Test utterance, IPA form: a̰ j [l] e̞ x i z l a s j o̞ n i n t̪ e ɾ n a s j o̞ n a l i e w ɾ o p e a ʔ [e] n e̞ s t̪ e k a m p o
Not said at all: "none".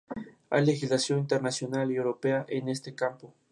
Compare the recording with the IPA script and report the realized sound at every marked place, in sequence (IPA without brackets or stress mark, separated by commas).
l, e